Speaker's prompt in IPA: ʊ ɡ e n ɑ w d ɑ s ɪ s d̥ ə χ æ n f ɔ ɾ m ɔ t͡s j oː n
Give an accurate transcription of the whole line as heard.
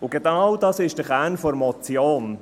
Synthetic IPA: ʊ ɡ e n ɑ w d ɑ s ɪ ʃ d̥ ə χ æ n f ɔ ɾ m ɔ t͡s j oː n